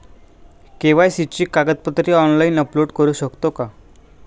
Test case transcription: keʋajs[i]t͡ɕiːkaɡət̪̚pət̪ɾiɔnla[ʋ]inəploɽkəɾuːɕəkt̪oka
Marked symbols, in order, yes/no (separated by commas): yes, no